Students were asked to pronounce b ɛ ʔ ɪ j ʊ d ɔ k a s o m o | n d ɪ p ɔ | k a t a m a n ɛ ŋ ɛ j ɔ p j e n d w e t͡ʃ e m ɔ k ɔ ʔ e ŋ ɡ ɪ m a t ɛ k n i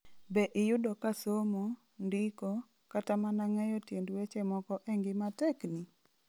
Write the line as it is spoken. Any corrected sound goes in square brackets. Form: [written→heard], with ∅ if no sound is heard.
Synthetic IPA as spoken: b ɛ ʔ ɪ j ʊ d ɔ k a s o m o | n d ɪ [p→k] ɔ | k a t a m a n [ɛ→a] ŋ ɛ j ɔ [p→t] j e n d w e t͡ʃ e m ɔ k ɔ ʔ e ŋ ɡ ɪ m a t ɛ k n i